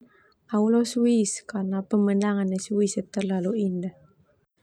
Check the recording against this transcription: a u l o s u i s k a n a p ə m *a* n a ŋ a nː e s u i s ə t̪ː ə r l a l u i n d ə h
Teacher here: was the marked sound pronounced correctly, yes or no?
no